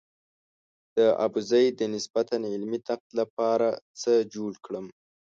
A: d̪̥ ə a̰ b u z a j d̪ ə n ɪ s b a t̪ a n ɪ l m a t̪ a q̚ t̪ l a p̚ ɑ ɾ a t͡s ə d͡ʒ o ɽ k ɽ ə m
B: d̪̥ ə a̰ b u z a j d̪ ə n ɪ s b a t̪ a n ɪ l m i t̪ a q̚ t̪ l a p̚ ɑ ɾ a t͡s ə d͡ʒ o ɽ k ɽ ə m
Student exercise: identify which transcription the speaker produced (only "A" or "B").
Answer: B